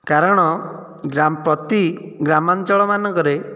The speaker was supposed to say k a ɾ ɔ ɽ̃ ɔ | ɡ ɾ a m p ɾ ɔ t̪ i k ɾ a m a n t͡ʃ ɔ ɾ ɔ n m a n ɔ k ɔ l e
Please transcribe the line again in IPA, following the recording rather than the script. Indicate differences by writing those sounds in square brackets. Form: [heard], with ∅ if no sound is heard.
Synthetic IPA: k a ɾ ɔ ɽ̃ ɔ | ɡ ɾ a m p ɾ ɔ t̪ i [ɡ] ɾ a m a n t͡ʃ ɔ [ɭ] ɔ [∅] m a n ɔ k ɔ [ɾ] e